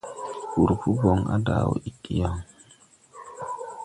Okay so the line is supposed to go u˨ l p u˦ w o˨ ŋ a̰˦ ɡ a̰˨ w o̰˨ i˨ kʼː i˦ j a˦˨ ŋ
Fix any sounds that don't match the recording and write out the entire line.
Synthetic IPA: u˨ ɾ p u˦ b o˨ ŋ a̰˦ d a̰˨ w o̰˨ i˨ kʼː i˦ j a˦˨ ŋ